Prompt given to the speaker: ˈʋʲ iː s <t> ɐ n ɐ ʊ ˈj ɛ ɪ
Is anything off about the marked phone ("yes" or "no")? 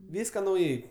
yes